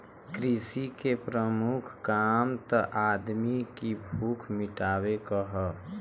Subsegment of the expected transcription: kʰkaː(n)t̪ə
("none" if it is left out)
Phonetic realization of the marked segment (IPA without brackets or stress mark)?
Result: m